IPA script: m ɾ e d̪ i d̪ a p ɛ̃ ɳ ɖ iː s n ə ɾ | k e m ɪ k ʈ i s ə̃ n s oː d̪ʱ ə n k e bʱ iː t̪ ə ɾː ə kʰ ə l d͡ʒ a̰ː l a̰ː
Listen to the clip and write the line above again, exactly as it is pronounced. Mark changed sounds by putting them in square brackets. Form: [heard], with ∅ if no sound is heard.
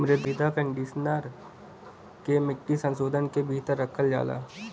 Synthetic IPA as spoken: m ɾ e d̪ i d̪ a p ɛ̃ ɳ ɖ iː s n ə ɾ | k e m ɪ k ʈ i s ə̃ n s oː d̪ʱ ə n k e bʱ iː t̪ ə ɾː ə kʰ ə l d͡ʒ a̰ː l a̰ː